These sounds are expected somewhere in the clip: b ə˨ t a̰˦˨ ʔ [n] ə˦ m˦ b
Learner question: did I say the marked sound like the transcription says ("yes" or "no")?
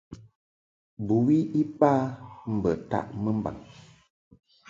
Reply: no